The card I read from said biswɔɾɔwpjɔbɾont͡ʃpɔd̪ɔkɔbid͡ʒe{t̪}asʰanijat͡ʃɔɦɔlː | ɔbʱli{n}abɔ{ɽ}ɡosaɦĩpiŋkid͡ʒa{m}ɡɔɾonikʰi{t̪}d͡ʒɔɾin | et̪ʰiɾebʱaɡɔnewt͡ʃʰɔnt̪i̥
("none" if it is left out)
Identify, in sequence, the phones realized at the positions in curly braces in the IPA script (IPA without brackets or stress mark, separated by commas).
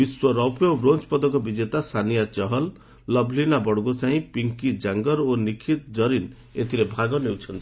t̪, n, ɽ, ŋ, t̪